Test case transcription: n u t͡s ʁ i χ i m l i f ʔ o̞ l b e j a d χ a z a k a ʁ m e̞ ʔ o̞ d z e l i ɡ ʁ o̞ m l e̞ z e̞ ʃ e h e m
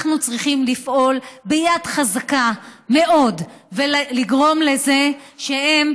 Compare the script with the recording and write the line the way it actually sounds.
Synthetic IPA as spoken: n u t͡s ʁ i χ i m l i f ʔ o̞ l b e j a d χ a z a k a m e̞ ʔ o̞ d v e l i ɡ ʁ o̞ m l e̞ z e̞ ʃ e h e m